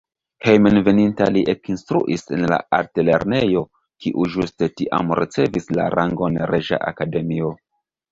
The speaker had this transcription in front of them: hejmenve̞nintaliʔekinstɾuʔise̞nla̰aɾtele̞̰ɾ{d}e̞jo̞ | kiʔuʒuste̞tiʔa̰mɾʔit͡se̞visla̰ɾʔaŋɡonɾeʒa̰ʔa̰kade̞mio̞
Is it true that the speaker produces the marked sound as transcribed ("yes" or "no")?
no